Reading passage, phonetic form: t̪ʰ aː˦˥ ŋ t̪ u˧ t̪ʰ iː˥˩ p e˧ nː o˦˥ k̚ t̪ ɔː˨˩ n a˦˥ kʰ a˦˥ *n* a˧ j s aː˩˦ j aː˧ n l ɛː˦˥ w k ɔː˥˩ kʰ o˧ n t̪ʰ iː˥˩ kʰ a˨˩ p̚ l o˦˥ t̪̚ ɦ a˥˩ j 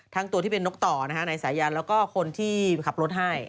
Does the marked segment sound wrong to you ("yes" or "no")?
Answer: no